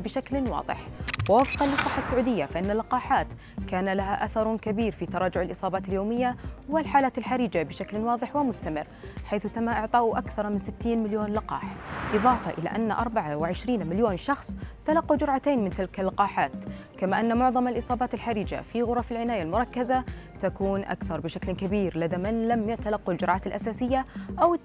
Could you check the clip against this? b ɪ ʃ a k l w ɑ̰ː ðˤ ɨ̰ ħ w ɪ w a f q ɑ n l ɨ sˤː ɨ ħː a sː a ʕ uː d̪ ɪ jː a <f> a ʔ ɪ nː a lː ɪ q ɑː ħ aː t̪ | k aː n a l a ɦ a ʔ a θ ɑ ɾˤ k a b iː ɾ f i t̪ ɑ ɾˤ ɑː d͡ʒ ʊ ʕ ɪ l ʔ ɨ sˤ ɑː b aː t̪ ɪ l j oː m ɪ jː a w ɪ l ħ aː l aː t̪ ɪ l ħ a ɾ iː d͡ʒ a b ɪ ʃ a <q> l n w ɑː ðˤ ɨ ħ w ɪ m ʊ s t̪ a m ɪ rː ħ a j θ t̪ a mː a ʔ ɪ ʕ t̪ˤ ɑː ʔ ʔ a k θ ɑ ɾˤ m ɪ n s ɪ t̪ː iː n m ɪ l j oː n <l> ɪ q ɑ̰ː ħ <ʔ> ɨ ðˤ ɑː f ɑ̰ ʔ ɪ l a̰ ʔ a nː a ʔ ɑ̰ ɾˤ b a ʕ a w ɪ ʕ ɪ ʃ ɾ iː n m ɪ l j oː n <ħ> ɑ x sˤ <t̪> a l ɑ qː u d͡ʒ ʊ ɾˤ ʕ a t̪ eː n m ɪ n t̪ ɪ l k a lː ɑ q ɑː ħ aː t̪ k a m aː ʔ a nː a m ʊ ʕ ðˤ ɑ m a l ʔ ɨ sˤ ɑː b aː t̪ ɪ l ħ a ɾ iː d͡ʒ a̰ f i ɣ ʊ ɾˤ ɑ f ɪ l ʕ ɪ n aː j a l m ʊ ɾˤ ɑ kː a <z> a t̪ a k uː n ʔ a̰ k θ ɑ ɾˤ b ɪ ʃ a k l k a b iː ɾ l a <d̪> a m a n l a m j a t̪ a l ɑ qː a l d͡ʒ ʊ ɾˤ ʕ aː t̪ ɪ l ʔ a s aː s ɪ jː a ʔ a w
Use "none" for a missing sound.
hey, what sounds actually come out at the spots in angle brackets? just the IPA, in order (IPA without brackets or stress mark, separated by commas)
f, k, l, ʔ, ʃ, t̪, z, d̪